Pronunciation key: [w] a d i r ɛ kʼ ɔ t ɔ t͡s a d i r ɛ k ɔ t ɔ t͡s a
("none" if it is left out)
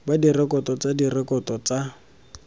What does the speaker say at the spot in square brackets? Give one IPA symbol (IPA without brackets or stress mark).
b